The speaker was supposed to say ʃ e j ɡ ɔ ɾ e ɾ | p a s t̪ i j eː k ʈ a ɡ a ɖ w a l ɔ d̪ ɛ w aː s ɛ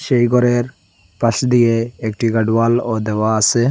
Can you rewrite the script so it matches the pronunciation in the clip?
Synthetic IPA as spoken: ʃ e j ɡ ɔ ɾ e ɾ | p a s d̪ i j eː k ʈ i ɡ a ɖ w a l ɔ d̪ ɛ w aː s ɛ